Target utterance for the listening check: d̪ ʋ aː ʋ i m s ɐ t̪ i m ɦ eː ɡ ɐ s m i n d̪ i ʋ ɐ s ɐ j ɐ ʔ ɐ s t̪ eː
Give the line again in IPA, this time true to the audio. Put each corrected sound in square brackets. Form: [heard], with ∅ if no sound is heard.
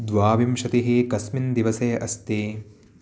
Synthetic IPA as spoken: d̪ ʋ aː ʋ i m [ʃ] ɐ t̪ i [∅] ɦ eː [k] ɐ s m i n d̪ i ʋ ɐ s ɐ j ɐ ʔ ɐ s t̪ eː